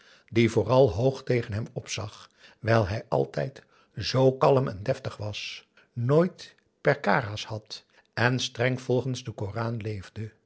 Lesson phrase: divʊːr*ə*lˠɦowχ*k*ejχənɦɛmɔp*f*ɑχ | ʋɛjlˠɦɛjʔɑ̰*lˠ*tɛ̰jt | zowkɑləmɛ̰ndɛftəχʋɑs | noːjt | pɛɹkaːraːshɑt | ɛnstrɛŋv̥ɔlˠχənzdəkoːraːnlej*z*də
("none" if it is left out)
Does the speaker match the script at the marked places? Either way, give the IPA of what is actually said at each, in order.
ɑ, t, s, lˠ, v

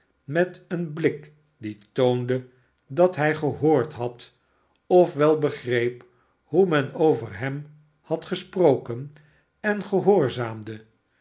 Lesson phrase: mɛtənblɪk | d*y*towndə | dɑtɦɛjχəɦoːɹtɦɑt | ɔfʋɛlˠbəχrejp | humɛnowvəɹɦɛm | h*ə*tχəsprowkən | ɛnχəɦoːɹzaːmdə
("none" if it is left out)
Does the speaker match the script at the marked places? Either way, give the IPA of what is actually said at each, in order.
i, ɑ

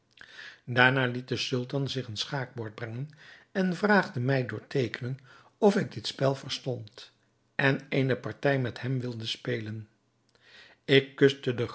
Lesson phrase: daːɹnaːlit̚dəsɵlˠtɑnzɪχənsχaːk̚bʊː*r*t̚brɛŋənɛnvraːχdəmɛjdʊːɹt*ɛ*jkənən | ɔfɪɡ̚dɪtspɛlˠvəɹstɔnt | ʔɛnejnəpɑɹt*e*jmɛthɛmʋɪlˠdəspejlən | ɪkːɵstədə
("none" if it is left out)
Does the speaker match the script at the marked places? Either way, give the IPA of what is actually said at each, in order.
ɹ, e, ɛ

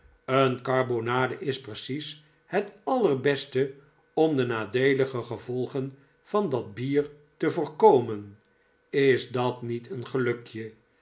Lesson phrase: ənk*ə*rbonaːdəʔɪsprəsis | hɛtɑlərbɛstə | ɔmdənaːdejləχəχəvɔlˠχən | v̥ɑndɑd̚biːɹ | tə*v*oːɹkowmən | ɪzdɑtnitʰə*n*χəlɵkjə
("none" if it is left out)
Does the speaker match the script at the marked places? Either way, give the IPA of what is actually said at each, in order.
ɑ, v, n

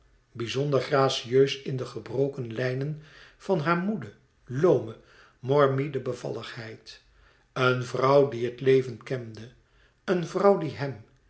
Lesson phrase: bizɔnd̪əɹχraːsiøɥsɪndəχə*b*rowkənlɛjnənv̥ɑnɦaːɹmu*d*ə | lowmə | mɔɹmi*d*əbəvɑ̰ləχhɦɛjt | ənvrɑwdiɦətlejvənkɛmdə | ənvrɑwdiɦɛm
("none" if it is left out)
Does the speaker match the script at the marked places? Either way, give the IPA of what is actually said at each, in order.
b, d, d

